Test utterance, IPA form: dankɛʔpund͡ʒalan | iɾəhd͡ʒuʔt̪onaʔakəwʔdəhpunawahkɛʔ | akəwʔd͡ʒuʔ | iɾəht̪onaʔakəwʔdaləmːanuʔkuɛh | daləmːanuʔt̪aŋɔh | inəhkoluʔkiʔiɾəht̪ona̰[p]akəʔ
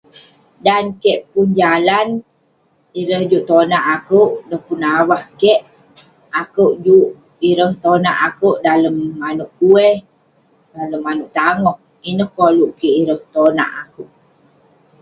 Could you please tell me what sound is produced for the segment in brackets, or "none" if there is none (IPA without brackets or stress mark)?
ʔ